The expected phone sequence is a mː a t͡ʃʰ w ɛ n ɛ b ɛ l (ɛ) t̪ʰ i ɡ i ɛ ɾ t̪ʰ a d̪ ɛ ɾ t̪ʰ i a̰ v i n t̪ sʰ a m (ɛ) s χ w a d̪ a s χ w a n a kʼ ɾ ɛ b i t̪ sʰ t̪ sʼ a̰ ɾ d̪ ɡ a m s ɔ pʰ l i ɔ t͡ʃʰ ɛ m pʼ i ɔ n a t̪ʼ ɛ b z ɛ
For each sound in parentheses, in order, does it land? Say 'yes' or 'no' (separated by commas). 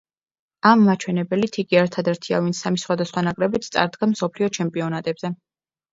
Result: no, no